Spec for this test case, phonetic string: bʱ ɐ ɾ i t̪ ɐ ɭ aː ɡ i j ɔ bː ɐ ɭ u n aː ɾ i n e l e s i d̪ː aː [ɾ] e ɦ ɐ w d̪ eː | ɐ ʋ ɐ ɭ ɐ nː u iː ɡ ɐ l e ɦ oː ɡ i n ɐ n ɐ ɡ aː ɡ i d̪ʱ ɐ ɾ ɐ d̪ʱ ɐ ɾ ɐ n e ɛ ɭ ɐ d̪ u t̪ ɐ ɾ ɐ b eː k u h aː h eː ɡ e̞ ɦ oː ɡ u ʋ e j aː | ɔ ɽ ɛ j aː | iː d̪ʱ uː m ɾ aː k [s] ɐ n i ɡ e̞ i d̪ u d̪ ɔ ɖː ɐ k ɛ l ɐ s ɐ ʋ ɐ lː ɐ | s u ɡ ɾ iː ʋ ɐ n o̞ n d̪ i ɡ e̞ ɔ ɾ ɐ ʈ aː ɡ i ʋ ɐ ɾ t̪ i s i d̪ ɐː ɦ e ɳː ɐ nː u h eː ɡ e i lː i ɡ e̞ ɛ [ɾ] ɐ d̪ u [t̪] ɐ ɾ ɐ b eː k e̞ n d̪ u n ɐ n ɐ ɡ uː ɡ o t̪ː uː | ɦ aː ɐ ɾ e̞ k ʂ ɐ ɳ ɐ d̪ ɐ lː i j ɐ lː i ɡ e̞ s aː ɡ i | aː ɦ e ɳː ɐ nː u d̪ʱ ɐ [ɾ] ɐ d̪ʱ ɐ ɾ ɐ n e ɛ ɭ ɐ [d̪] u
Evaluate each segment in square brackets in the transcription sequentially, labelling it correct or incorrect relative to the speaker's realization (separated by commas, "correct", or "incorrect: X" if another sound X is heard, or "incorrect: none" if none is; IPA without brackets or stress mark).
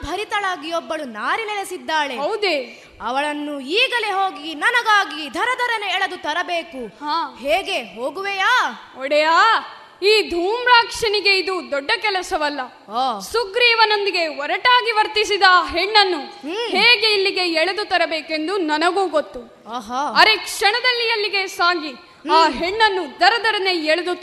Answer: incorrect: ɭ, incorrect: ʂ, incorrect: ɭ, correct, correct, correct